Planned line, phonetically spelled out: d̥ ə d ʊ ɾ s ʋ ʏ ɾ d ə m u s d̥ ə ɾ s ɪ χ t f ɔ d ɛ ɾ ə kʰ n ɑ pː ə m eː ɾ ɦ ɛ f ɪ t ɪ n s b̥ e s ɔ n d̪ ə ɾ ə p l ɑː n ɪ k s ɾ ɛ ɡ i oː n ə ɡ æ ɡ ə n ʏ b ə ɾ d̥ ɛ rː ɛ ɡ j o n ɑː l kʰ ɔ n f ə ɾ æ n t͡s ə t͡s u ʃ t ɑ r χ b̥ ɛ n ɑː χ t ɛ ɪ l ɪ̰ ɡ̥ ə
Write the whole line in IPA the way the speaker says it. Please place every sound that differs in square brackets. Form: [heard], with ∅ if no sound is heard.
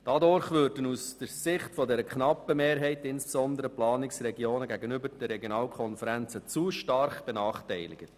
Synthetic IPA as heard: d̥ [ɑ] d ʊ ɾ [χ] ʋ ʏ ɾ d ə [n] u s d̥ ə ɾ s ɪ χ t f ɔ d ɛ ɾ ə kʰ n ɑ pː ə m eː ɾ ɦ ɛ [∅] ɪ t ɪ n s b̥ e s ɔ n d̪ ə ɾ ə p l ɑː n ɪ k s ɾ ɛ ɡ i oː n ə ɡ æ ɡ ə n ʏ b ə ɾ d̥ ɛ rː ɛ ɡ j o n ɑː l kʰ ɔ n f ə ɾ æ n t͡s ə t͡s u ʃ t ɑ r χ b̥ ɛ n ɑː χ t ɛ ɪ l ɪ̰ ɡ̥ ə